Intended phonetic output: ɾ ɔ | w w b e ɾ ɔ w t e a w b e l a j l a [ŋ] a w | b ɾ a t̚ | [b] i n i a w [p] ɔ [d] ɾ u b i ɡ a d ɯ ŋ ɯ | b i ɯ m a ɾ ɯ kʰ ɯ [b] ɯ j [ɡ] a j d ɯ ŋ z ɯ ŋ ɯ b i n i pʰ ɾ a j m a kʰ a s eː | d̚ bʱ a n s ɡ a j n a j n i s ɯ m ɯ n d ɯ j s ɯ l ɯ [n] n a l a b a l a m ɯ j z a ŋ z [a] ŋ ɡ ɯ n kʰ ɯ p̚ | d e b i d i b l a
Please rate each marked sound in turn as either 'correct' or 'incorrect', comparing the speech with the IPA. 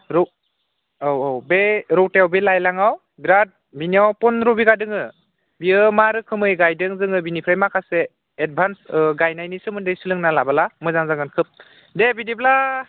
correct, correct, correct, incorrect, incorrect, correct, incorrect, correct

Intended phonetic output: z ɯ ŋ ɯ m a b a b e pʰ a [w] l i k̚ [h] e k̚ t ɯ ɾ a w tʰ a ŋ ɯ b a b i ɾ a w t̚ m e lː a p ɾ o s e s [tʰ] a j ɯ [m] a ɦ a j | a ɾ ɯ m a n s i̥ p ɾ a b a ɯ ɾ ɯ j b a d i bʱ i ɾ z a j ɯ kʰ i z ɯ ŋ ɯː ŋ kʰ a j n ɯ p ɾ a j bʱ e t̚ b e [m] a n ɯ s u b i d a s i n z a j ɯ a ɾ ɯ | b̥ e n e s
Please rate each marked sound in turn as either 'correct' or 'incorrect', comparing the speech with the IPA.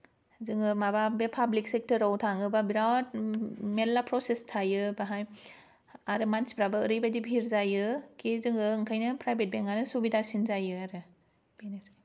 incorrect, incorrect, correct, incorrect, incorrect

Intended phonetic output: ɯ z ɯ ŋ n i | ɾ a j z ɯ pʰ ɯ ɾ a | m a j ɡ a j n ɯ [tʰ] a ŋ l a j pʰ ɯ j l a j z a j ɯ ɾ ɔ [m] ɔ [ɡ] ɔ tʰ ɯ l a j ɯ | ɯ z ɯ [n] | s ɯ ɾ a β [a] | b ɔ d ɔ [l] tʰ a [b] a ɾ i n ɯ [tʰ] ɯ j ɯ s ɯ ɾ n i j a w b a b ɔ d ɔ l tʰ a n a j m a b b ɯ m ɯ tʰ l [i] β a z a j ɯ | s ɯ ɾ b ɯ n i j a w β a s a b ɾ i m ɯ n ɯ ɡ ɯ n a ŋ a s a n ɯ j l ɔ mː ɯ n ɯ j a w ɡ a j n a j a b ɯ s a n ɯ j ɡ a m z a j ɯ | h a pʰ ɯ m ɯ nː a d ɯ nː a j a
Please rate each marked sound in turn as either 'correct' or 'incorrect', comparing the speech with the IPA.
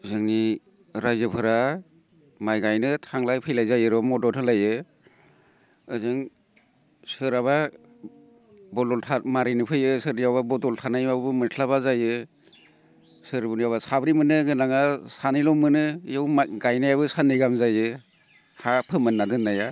correct, correct, incorrect, incorrect, correct, correct, incorrect, incorrect, incorrect

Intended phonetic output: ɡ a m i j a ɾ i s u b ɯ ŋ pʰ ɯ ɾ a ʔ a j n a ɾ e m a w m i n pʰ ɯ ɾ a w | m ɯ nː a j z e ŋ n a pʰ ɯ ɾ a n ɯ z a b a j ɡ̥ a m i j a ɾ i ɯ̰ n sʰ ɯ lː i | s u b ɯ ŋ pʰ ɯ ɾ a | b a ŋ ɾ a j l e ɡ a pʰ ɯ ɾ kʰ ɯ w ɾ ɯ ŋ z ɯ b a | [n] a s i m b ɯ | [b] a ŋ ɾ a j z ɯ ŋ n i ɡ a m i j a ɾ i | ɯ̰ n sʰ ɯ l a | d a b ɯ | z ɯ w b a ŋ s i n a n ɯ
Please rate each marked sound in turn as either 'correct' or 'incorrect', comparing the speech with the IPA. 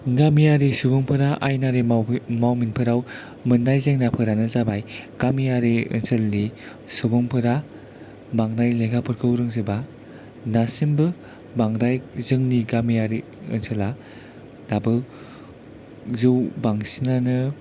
correct, correct

